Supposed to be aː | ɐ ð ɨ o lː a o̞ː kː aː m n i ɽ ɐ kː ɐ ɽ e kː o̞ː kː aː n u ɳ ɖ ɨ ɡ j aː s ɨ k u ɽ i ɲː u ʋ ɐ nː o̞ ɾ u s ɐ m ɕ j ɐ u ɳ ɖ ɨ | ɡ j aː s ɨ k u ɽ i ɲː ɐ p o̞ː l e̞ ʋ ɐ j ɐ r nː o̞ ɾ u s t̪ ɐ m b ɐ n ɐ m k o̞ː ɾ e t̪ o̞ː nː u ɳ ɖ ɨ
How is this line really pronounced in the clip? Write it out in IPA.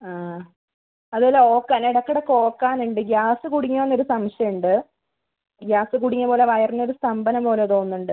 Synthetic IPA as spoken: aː | ɐ ð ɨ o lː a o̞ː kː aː n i ɽ ɐ kː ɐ ɽ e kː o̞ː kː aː n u ɳ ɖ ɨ ɡ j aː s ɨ k u ɽ i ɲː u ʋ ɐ nː o̞ ɾ u s ɐ m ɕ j ɐ u ɳ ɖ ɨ | ɡ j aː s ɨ k u ɽ i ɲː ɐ p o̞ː l e̞ ʋ ɐ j ɐ r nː o̞ ɾ u s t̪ ɐ m b ɐ n ɐ m p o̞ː l e t̪ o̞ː nː u ɳ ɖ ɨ